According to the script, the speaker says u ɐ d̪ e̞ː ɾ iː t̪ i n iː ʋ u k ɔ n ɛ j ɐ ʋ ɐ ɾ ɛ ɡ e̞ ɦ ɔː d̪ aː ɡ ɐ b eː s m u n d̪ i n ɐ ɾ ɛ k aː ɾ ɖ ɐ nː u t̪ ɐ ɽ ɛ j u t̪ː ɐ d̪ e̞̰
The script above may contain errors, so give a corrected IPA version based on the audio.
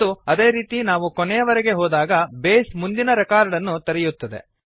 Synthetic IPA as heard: u ɐ d̪ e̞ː ɾ iː t̪ i n aː ʋ u k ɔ n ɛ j ɐ ʋ ɐ ɾ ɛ ɡ e̞ ɦ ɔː d̪ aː ɡ ɐ b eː s m u n d̪ i n ɐ ɾ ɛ k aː ɾ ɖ ɐ nː u t̪ ɐ ɾ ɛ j u t̪ː ɐ d̪ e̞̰